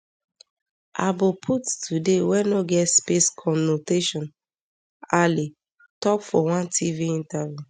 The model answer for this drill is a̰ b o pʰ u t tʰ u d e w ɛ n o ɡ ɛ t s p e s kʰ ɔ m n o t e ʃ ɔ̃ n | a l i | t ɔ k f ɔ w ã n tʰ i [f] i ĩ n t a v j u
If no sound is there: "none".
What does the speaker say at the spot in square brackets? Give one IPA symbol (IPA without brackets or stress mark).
v